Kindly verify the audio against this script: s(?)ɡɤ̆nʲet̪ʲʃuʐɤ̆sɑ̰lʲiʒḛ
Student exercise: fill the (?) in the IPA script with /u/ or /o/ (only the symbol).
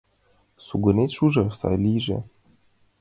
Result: u